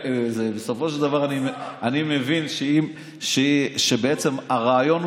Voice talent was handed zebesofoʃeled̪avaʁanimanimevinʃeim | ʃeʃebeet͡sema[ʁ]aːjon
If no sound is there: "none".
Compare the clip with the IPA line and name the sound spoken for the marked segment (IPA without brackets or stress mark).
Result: ʁ